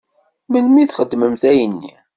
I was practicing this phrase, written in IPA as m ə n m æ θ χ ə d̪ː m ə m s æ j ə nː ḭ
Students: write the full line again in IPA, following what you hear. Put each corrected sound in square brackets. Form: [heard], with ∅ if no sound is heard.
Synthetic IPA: m ə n m [i] θ χ ə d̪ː m ə m [θ] æ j ə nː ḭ